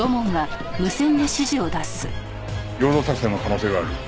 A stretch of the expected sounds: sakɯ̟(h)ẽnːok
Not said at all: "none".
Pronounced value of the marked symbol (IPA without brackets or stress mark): s